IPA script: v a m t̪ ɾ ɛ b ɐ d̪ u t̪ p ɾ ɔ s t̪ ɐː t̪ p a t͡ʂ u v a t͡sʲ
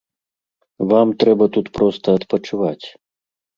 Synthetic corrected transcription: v a m t̪ ɾ ɛ b ɐ t̪ u t̪ p ɾ ɔ s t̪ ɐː t̪ p ɐ t͡ʂ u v a t͡sʲ